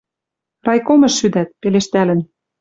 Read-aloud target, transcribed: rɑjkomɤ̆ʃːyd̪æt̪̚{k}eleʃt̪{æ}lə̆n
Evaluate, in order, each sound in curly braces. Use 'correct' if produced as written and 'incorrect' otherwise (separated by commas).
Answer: incorrect, correct